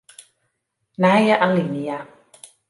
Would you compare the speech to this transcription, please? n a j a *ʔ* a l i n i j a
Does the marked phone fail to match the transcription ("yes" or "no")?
no